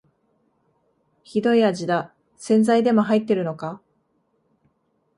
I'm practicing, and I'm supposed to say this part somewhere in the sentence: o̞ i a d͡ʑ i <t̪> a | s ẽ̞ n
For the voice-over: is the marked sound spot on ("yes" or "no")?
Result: no